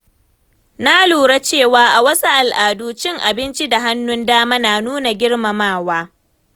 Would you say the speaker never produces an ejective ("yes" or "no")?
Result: yes